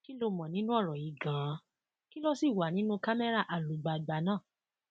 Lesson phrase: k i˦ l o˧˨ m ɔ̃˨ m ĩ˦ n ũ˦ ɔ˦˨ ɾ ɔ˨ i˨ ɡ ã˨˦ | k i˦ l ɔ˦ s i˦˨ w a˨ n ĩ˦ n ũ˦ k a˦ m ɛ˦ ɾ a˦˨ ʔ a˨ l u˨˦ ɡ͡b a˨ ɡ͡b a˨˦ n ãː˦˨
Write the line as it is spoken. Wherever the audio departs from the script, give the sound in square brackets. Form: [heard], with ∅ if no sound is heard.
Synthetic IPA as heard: k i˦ l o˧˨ m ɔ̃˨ [n] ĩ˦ n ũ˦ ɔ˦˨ ɾ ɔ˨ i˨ ɡ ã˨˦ | k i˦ l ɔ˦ s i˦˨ w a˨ n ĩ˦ n ũ˦ k a˦ m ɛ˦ ɾ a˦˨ ʔ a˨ l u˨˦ ɡ͡b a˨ ɡ͡b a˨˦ n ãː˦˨